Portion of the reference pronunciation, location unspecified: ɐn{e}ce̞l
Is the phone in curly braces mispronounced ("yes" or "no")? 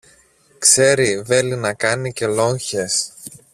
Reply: yes